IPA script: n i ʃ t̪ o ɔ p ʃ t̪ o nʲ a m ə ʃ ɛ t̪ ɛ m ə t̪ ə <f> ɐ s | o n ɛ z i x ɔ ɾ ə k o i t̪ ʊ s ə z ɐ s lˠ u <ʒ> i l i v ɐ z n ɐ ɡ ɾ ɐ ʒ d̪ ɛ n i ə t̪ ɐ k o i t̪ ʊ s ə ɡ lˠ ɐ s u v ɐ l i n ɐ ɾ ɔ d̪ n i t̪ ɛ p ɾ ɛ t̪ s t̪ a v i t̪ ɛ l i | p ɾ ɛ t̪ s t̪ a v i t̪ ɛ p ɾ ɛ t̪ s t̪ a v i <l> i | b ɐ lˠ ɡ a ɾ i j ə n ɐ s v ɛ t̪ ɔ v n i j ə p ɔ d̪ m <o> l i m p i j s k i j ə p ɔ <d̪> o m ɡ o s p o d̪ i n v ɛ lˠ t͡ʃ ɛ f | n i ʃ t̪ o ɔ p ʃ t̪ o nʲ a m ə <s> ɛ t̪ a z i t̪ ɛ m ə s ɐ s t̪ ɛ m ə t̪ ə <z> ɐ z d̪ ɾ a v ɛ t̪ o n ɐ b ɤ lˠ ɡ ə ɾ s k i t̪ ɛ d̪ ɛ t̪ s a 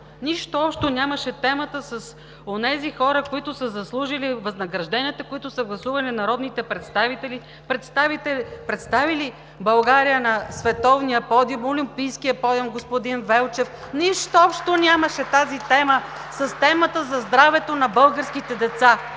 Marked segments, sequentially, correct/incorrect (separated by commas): incorrect, correct, correct, correct, correct, incorrect, correct